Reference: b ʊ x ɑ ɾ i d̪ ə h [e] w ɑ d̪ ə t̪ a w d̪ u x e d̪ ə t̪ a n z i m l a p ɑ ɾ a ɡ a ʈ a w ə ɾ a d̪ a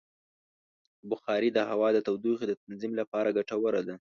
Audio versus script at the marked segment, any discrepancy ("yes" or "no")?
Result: yes